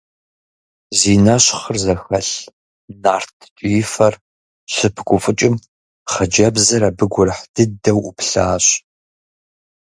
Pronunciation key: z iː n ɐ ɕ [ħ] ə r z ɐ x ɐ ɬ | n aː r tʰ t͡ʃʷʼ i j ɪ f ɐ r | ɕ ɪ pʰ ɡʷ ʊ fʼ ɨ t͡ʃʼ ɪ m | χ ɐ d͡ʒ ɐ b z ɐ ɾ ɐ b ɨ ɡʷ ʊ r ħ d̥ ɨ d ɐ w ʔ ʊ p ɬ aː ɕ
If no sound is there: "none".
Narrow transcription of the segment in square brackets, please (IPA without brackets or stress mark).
χ